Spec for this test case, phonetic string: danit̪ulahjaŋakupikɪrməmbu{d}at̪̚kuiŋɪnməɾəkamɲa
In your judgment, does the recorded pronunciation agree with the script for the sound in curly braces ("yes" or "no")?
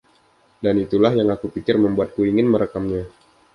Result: no